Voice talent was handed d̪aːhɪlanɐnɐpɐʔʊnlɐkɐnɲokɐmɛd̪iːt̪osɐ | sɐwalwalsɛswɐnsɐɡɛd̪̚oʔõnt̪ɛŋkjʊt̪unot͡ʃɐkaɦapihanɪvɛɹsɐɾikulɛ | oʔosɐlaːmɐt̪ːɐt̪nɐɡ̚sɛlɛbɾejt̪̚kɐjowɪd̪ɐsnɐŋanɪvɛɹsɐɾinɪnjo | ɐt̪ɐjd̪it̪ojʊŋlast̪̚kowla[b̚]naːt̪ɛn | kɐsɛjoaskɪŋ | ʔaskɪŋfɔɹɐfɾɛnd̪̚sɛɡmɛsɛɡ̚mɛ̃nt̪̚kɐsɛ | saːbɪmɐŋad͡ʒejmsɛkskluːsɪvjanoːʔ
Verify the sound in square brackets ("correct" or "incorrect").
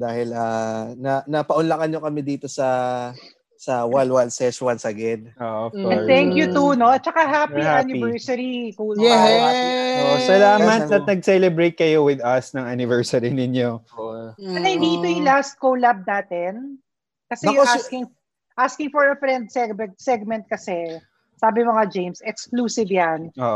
correct